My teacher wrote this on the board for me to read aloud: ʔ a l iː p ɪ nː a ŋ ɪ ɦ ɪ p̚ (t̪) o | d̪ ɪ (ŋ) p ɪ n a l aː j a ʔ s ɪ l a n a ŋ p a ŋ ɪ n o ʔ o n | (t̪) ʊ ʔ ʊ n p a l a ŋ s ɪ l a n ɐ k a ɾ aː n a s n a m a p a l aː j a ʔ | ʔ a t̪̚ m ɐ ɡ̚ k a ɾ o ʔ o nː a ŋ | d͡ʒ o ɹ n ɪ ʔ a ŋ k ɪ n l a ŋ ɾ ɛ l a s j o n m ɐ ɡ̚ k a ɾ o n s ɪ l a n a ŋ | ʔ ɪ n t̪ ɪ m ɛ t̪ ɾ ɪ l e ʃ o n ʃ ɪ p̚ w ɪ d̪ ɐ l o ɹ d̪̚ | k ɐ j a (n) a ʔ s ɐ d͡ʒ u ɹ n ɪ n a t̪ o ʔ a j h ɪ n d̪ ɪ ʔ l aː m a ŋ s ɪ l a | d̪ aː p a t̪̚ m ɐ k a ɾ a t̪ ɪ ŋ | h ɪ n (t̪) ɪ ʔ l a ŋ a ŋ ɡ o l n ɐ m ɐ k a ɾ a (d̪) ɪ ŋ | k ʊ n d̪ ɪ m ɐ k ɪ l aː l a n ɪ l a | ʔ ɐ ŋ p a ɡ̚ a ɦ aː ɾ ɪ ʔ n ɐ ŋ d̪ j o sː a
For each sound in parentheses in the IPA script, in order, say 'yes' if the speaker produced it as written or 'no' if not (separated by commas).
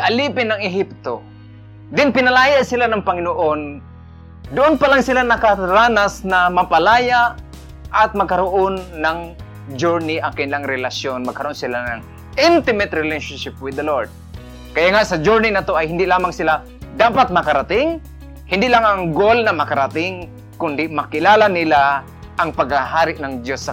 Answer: yes, no, no, no, no, no